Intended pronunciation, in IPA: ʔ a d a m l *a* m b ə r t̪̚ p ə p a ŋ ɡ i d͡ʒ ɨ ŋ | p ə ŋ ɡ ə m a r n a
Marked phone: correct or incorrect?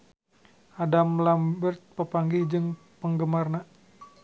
correct